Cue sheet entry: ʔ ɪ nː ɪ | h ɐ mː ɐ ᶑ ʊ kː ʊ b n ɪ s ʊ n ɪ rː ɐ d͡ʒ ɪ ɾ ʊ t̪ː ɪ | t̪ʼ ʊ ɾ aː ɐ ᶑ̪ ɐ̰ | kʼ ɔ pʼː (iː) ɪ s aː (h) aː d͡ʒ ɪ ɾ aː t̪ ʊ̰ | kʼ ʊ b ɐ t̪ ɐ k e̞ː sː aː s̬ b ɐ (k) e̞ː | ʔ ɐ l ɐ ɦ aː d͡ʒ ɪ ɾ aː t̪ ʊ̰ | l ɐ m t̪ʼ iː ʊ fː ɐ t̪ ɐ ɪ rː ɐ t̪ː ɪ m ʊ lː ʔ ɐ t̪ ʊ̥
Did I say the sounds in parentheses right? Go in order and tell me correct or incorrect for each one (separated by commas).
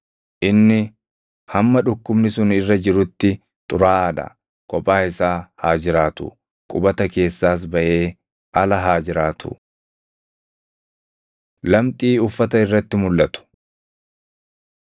incorrect, correct, incorrect